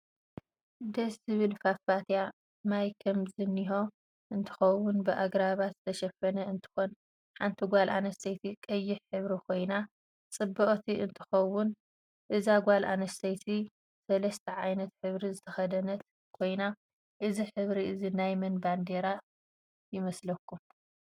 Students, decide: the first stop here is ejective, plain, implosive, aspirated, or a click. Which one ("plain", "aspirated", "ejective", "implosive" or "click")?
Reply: plain